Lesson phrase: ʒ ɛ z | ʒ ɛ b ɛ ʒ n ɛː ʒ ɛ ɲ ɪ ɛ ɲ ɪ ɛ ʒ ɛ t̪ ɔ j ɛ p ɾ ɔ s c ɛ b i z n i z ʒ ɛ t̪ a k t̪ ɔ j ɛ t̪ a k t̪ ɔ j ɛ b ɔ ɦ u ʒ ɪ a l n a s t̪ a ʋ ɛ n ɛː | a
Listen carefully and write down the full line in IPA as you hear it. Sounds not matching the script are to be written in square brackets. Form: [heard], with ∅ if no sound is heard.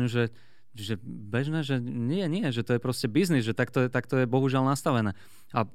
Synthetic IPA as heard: ʒ ɛ [∅] | ʒ ɛ b ɛ ʒ n ɛː ʒ ɛ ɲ ɪ ɛ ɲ ɪ ɛ ʒ ɛ t̪ ɔ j ɛ p ɾ ɔ s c ɛ b i z n i z ʒ ɛ t̪ a k t̪ ɔ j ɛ t̪ a k t̪ ɔ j ɛ b ɔ ɦ u ʒ ɪ a l n a s t̪ a ʋ ɛ n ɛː | a